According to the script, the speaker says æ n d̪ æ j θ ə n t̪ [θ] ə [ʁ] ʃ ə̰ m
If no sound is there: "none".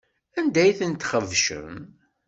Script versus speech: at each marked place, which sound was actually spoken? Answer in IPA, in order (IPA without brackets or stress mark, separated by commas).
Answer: χ, v